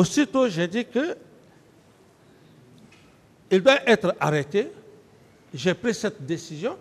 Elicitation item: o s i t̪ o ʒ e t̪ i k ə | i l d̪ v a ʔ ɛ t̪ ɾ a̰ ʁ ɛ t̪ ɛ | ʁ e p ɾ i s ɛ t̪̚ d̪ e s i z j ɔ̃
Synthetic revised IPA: o s i t̪ o ʒ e d̪ i k ə | i l d̪ w a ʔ ɛ t̪ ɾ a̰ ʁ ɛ t̪ e | ʒ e p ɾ i s ɛ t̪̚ d̪ e s i z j ɔ̃